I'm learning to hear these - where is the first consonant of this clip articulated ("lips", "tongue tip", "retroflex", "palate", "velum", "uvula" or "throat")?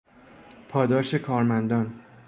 lips